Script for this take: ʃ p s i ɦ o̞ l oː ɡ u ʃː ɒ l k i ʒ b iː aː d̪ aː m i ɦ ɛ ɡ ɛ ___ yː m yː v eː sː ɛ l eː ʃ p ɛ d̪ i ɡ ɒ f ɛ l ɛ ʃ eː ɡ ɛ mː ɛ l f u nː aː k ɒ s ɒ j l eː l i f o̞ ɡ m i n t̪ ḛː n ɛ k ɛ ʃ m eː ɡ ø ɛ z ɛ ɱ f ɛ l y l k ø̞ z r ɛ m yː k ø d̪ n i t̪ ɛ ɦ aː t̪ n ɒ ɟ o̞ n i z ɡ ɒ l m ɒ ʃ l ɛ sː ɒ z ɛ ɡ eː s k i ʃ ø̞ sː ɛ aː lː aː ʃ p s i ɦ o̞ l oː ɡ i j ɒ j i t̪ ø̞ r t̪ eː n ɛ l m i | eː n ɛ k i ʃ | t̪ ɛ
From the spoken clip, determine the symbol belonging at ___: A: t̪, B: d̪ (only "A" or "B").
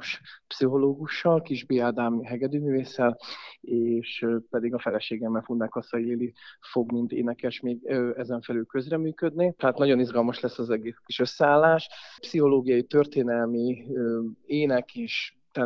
B